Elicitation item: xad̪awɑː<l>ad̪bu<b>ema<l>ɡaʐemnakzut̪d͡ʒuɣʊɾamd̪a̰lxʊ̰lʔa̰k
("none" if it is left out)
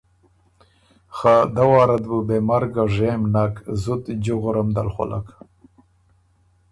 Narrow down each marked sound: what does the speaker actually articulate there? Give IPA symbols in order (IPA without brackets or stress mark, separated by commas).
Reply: ɾ, b, ɾ